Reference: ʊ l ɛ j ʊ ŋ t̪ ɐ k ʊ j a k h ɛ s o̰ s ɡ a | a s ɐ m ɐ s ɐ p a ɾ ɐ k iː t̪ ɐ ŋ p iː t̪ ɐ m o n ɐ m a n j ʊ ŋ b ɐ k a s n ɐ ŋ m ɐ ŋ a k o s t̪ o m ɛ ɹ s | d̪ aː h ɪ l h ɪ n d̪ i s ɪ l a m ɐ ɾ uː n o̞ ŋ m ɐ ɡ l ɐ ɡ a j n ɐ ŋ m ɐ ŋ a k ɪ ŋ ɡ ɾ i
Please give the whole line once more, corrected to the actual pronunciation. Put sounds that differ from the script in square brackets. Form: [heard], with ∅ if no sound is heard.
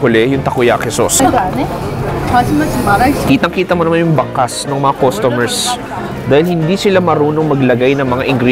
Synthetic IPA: ʊ l ɛ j ʊ ŋ t̪ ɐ k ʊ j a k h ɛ s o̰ s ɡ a | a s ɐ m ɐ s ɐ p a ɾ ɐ k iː t̪ ɐ ŋ [k] iː t̪ ɐ m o n ɐ m a n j ʊ ŋ b ɐ k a s n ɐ ŋ m ɐ ŋ a k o s t̪ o m ɛ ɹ s | d̪ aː h ɪ l h ɪ n d̪ i s ɪ l a m ɐ ɾ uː n o̞ ŋ m ɐ ɡ l ɐ ɡ a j n ɐ ŋ m ɐ ŋ a [ʔ] ɪ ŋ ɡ ɾ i

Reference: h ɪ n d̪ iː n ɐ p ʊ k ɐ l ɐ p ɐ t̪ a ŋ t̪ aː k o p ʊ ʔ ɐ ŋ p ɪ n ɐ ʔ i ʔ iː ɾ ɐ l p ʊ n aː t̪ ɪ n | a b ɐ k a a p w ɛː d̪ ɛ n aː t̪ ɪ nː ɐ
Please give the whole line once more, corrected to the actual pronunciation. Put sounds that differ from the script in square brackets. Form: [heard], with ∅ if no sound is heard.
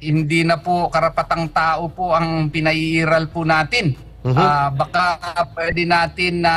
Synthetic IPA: h ɪ n d̪ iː n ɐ p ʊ k ɐ [ɾ] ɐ p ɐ t̪ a ŋ t̪ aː [ʔ] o p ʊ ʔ ɐ ŋ p ɪ n ɐ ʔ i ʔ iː ɾ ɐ l p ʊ n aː t̪ ɪ n | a b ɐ k a a p w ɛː d̪ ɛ n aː t̪ ɪ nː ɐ

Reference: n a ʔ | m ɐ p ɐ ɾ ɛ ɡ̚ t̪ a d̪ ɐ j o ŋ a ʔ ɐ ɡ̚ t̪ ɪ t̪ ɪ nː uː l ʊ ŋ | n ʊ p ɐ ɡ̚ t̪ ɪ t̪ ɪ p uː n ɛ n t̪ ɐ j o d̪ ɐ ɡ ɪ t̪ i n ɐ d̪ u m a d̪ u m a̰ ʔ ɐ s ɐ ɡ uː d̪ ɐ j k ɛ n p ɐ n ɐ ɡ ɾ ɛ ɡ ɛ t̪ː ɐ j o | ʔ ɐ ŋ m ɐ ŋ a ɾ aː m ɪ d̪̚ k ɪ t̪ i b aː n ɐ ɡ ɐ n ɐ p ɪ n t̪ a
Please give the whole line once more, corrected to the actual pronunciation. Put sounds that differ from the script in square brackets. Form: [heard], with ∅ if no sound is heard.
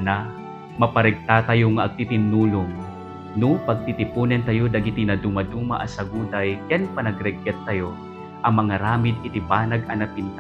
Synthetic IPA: n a [∅] | m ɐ p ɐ ɾ ɛ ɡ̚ t̪ a [t̪] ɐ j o ŋ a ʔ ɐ ɡ̚ t̪ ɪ t̪ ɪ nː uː l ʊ ŋ | n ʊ p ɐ ɡ̚ t̪ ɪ t̪ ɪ p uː n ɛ n t̪ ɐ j o d̪ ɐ ɡ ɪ t̪ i n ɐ d̪ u m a d̪ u m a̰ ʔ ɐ s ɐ ɡ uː d̪ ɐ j k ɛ n p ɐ n ɐ ɡ ɾ ɛ ɡ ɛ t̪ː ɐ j o | ʔ ɐ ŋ m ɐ ŋ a ɾ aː m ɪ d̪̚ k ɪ t̪ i b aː n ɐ ɡ ɐ n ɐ p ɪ n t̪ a

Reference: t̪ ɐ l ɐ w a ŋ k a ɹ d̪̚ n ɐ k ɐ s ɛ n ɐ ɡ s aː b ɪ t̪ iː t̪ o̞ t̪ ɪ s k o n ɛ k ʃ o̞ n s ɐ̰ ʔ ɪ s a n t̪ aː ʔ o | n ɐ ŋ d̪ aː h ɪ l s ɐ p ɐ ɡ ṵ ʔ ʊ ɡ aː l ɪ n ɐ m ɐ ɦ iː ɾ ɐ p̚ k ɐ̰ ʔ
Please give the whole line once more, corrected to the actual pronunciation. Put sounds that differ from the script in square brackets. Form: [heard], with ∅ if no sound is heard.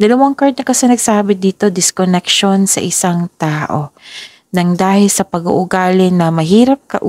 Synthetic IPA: [d̪] ɐ l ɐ w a ŋ k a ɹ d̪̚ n ɐ k ɐ s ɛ n ɐ ɡ s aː b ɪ [d̪] iː t̪ o̞ [d̪] ɪ s k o n ɛ k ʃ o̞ n s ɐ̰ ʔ ɪ s a [ŋ] t̪ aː ʔ o | n ɐ ŋ d̪ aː h ɪ l s ɐ p ɐ ɡ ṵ ʔ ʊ ɡ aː l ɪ n ɐ m ɐ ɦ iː ɾ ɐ p̚ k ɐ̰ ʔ

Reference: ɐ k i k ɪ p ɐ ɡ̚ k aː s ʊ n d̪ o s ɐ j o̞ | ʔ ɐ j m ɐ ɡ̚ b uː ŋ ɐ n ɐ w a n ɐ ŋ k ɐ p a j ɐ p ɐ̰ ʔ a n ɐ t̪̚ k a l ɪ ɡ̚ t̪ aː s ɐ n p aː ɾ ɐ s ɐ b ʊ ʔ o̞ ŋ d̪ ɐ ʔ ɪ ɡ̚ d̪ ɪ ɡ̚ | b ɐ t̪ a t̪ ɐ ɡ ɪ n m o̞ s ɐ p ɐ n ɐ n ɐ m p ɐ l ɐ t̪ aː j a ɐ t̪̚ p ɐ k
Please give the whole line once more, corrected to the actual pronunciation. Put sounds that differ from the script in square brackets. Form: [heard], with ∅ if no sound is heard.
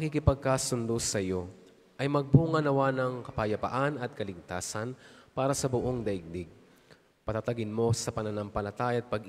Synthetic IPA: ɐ k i k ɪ p ɐ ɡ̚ k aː s ʊ n d̪ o s ɐ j o̞ | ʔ ɐ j m ɐ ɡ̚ b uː ŋ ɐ n ɐ w a n ɐ ŋ k ɐ p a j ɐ p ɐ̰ ʔ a n ɐ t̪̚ k [ɐ] l ɪ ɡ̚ t̪ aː s ɐ n p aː ɾ ɐ s ɐ b ʊ ʔ o̞ ŋ d̪ ɐ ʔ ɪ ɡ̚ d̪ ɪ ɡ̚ | [p] ɐ t̪ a t̪ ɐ ɡ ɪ n m o̞ s ɐ p ɐ n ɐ n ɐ m p ɐ l ɐ t̪ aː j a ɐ t̪̚ p ɐ [ɡ]

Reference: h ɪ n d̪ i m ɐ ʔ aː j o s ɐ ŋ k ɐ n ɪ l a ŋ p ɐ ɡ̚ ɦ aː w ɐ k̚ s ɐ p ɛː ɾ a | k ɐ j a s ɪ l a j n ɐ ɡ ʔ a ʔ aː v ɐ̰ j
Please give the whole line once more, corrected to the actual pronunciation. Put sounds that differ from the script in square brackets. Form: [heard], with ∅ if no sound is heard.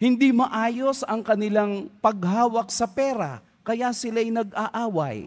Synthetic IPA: h ɪ n d̪ i m ɐ ʔ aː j o s ɐ ŋ k ɐ n ɪ l a ŋ p ɐ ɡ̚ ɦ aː w ɐ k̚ s ɐ p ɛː ɾ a | k ɐ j a s ɪ l a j n ɐ ɡ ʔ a ʔ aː [w] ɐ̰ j

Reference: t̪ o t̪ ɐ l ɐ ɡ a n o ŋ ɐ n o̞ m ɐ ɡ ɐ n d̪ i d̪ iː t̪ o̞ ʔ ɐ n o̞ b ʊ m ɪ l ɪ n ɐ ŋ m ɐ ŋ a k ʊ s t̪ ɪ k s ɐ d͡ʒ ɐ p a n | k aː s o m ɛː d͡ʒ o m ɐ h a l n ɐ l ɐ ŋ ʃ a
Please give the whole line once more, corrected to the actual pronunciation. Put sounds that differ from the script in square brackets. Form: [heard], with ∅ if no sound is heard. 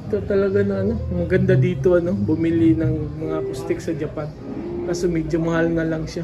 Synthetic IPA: t̪ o t̪ ɐ l ɐ ɡ a n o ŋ ɐ n o̞ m ɐ ɡ ɐ n d̪ [a] d̪ iː t̪ o̞ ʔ ɐ n o̞ b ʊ m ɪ l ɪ n ɐ ŋ m ɐ ŋ a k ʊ s t̪ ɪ k s ɐ d͡ʒ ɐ p a n | k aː s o m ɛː d͡ʒ o m ɐ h a l n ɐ l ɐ ŋ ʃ a

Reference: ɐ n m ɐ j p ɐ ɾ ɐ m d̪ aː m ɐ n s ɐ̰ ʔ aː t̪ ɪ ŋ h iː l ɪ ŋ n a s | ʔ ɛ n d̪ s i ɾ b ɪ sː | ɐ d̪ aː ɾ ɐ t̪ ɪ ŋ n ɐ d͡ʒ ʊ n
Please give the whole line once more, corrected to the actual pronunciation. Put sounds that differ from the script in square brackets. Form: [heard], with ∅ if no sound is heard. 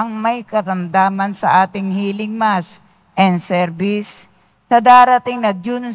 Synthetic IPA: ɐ [ŋ] m ɐ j [k] ɐ ɾ ɐ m d̪ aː m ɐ n s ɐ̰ ʔ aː t̪ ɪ ŋ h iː l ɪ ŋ [m] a s | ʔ ɛ n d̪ s [ɛ] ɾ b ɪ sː | ɐ d̪ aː ɾ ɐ t̪ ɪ ŋ n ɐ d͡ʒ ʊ n

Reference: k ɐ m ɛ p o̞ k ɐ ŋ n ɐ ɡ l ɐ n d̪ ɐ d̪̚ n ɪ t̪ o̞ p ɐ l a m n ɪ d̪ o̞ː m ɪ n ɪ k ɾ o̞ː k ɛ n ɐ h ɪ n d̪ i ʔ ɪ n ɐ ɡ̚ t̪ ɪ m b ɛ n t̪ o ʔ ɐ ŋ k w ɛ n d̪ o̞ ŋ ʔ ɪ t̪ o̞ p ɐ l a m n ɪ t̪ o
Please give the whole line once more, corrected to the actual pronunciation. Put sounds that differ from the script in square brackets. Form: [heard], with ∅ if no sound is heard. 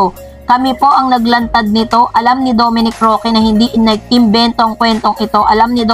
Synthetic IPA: k ɐ m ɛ p o̞ [ʔ] ɐ ŋ n ɐ ɡ l ɐ n [t̪] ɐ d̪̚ n ɪ t̪ o̞ [ʔ] ɐ l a m n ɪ d̪ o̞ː m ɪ n ɪ k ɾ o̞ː k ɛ n ɐ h ɪ n d̪ i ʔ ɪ n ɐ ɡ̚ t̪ ɪ m b ɛ n t̪ o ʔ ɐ ŋ k w ɛ n [t̪] o̞ ŋ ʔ ɪ t̪ o̞ [ʔ] ɐ l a m n ɪ [d̪] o

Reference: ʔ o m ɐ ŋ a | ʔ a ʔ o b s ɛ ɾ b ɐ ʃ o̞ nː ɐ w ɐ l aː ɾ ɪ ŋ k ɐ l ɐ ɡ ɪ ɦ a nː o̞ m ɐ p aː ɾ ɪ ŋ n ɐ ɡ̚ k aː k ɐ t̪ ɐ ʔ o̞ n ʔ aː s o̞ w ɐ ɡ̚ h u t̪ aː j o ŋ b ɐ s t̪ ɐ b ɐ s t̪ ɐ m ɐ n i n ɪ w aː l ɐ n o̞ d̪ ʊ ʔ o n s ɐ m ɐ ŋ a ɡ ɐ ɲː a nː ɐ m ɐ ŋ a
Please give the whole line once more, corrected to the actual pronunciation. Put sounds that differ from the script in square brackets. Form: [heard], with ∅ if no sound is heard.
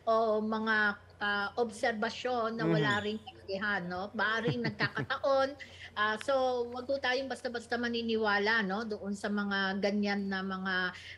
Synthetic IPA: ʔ o m ɐ ŋ a | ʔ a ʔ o b s ɛ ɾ b ɐ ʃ o̞ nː ɐ w ɐ l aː ɾ ɪ ŋ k ɐ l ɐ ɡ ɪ ɦ a nː o̞ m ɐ [ʔ] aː ɾ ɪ ŋ n ɐ ɡ̚ k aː k ɐ t̪ ɐ ʔ o̞ n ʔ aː s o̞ w ɐ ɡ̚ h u t̪ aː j o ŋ b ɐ s t̪ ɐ b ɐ s t̪ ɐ m ɐ n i n ɪ w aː l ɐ n o̞ d̪ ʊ ʔ o n s ɐ m ɐ ŋ a ɡ ɐ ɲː a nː ɐ m ɐ ŋ a

